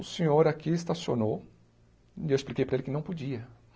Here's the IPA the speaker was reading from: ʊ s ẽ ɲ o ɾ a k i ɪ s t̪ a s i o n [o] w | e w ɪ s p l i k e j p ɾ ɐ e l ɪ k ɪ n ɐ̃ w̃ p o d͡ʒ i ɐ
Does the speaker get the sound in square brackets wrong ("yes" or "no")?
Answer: no